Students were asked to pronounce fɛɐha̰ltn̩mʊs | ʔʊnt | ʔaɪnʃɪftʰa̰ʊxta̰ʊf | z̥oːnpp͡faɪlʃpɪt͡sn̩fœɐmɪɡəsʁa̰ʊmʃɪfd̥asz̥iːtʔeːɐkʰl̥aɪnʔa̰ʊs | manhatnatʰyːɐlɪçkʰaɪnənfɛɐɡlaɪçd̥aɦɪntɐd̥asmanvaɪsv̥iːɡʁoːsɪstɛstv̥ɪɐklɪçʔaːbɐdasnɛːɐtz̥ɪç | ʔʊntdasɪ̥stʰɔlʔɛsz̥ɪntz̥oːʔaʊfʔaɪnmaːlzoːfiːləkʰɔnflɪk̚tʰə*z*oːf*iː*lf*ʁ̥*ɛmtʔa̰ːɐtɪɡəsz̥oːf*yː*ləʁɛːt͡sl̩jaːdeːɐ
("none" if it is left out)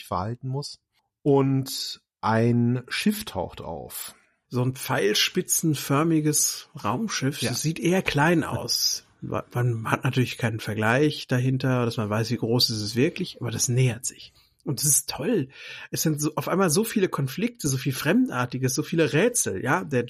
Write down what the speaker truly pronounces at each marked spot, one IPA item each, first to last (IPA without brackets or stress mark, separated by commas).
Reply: z, iː, ʁ̥, iː